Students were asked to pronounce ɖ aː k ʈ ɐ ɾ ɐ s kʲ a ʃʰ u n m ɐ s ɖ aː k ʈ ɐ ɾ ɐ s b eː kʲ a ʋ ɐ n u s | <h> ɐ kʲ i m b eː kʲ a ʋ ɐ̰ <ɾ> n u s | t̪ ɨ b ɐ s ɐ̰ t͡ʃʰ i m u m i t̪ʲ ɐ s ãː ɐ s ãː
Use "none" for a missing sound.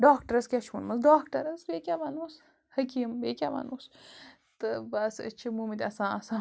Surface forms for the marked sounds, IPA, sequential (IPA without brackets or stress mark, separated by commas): h, none